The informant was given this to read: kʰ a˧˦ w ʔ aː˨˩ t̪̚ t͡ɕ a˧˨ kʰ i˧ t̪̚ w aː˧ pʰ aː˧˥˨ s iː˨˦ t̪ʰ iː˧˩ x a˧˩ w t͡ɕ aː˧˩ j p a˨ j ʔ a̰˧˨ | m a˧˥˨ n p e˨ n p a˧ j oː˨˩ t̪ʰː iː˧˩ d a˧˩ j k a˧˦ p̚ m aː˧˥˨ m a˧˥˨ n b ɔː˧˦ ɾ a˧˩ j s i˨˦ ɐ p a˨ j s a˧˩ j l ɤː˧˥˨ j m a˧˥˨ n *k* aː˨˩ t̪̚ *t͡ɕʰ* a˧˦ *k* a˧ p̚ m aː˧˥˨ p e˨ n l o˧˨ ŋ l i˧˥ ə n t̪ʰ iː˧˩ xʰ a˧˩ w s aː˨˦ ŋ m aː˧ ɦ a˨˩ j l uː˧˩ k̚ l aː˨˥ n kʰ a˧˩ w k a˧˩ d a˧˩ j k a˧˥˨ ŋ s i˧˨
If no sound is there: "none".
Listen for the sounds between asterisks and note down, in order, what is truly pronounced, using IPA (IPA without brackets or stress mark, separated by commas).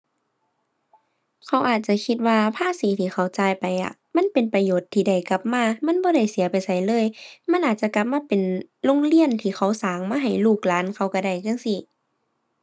ʔ, t͡ɕ, k